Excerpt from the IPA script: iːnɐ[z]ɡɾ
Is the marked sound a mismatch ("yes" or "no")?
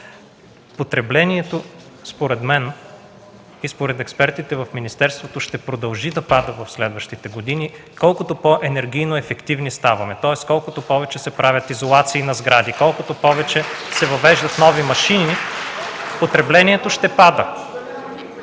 no